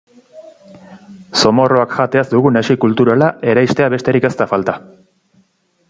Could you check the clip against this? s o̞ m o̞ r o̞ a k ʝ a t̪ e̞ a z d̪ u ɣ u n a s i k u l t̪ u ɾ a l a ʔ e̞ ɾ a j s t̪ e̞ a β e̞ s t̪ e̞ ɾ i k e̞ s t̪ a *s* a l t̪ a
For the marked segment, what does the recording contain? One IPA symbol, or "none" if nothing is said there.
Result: f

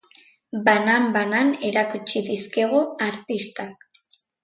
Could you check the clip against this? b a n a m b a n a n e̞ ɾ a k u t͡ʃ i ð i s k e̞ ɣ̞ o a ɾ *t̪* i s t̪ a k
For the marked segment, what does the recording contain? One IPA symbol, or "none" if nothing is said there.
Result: t̪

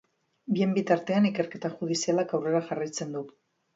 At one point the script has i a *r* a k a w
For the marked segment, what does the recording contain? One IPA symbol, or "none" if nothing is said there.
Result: l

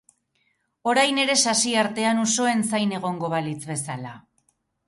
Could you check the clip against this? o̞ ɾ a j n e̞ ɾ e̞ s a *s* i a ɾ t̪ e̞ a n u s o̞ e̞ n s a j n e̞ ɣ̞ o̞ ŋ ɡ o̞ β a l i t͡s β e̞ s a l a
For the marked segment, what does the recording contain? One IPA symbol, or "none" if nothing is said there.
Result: s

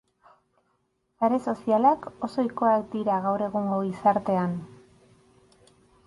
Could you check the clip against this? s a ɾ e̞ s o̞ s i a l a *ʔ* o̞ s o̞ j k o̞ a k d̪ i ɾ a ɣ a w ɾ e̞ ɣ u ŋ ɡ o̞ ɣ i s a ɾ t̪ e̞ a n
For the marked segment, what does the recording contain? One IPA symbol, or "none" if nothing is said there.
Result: k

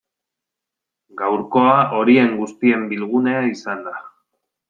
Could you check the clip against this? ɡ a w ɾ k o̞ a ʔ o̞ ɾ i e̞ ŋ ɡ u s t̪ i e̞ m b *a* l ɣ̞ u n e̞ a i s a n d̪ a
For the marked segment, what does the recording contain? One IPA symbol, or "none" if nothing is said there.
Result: i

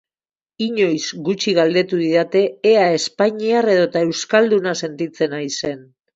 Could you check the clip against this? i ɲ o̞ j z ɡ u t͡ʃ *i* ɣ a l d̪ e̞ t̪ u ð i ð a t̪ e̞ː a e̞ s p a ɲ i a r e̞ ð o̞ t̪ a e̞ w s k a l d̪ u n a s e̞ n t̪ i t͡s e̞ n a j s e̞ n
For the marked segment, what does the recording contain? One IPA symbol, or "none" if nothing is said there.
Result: i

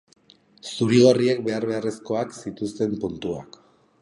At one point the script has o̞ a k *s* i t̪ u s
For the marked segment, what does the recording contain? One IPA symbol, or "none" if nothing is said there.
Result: s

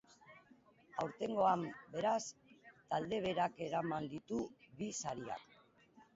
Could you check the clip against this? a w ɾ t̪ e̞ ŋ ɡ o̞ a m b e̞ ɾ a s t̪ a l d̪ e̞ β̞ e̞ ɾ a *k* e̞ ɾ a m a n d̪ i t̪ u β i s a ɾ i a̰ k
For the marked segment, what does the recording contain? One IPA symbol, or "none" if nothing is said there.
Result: k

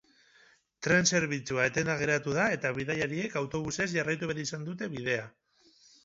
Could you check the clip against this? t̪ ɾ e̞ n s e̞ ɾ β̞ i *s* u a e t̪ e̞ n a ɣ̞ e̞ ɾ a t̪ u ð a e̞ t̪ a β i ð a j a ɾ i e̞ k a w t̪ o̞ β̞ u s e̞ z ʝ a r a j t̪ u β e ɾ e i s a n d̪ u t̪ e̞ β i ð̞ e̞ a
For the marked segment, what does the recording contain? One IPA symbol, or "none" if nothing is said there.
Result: t͡s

